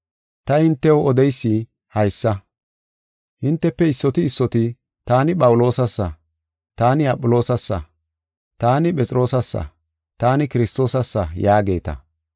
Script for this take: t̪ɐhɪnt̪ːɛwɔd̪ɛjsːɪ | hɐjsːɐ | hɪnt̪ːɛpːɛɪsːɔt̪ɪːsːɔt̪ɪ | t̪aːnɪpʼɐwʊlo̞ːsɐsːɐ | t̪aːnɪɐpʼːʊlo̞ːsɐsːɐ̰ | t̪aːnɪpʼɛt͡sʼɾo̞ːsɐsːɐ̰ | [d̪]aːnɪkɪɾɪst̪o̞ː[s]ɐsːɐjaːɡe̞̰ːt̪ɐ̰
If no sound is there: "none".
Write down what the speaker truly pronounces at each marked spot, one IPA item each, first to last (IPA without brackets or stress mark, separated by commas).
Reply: t̪, s